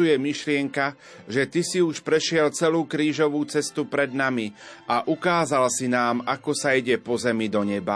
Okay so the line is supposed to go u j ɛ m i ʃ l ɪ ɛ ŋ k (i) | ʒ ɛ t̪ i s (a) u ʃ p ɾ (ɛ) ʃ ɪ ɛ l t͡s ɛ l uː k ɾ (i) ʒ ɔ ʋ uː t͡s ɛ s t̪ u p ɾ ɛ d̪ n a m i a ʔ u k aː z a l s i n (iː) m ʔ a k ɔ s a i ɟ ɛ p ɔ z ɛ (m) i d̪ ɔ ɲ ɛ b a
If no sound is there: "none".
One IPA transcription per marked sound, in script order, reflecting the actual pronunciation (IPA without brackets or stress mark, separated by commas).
a, i, ɛ, iː, aː, m